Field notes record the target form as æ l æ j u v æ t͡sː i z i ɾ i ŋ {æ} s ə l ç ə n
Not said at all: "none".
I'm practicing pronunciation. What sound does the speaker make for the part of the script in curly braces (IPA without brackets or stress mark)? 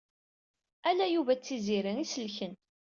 i